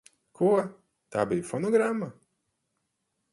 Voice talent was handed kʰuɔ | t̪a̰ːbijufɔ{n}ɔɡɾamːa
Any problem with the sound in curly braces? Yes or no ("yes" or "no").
no